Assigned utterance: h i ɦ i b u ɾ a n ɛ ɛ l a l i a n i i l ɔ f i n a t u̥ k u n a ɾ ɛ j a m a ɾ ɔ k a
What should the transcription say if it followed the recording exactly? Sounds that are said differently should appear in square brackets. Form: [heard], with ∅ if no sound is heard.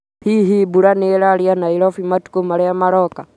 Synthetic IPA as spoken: h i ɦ i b u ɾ a n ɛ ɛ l a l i a n [a] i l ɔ f i [m] a t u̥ k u [m] a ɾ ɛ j a m a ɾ ɔ k a